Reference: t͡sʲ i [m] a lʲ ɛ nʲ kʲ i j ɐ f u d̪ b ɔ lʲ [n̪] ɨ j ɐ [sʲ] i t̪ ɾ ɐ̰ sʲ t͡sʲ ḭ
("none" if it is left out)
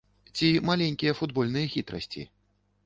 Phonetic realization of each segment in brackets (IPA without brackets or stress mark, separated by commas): m, n̪, xʲ